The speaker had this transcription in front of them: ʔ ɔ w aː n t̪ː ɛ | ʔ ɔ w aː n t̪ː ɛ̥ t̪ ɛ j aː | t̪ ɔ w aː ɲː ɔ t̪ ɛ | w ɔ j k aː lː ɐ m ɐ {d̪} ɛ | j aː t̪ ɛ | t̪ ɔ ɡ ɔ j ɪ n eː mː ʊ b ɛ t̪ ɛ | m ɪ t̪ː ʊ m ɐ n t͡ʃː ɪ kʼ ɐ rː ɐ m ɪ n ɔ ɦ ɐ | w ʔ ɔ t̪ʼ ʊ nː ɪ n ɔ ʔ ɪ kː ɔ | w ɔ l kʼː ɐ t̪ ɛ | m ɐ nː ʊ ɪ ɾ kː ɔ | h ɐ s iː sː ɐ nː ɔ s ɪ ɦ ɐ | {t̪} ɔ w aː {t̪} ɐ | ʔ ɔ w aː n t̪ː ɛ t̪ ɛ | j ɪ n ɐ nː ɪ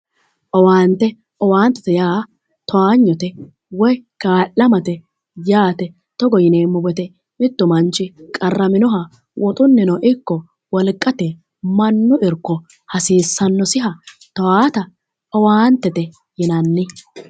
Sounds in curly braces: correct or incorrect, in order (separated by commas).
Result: incorrect, correct, correct